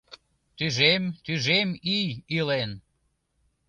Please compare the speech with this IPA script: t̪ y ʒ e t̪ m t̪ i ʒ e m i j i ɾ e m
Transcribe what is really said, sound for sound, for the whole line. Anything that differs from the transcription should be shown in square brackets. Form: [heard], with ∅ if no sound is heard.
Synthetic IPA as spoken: t̪ y ʒ e [∅] m t̪ [y] ʒ e m i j i [l] e [n]